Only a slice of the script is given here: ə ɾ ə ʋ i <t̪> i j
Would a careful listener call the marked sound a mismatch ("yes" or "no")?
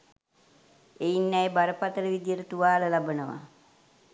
yes